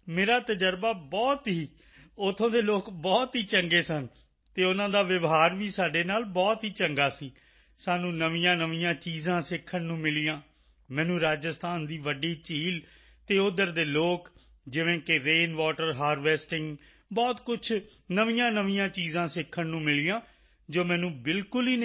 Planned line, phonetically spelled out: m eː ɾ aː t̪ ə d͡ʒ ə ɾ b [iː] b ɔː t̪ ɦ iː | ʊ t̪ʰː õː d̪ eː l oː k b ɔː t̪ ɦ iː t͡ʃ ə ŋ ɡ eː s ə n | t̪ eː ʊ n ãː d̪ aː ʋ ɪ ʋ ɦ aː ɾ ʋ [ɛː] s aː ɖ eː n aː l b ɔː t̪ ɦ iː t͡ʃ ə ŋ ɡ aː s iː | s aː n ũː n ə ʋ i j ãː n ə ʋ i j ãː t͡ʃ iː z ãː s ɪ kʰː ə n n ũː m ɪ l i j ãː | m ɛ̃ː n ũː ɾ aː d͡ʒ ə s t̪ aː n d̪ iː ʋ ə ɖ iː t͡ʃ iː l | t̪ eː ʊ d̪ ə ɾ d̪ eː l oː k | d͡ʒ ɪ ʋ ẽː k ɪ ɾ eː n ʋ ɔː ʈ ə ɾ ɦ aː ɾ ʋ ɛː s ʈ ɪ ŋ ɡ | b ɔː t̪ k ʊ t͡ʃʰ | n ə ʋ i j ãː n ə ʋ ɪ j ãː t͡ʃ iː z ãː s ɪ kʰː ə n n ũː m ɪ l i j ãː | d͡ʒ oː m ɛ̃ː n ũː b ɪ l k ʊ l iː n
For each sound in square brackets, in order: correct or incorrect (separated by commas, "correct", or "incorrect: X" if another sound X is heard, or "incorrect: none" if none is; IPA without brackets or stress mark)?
incorrect: aː, incorrect: iː